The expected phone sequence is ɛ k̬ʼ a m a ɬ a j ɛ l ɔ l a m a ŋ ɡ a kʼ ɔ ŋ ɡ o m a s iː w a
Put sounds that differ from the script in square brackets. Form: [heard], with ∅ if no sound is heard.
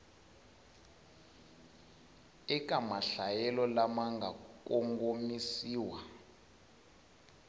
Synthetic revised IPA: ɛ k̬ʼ a m a ɬ a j ɛ l ɔ l a m a ŋ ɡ a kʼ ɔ ŋ ɡ o m [i] s iː w a